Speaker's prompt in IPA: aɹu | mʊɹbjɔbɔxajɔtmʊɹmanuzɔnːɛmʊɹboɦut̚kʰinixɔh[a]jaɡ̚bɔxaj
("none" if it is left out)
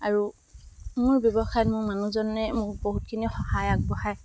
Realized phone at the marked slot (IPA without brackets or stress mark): a